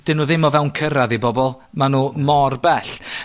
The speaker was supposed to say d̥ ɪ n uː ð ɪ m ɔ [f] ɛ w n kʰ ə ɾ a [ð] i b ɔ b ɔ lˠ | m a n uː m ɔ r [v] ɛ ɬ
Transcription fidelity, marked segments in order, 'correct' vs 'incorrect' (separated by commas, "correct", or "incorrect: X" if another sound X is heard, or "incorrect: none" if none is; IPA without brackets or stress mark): incorrect: v, correct, incorrect: b